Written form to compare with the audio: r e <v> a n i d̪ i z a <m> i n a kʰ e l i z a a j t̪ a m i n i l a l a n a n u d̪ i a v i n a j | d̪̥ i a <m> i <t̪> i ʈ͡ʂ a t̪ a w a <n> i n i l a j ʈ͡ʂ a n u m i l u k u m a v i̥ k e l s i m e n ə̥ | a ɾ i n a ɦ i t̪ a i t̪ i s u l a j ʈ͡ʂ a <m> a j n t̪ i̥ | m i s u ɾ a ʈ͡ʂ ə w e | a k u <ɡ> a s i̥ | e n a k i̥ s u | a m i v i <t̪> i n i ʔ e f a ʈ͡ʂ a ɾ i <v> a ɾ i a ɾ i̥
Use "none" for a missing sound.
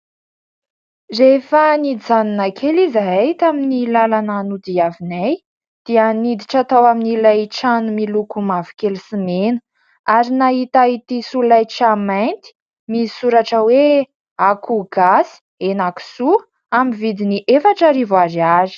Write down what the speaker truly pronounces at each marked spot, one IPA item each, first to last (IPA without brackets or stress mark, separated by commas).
f, n, n, d̪, m, m, ɡ, d̪, v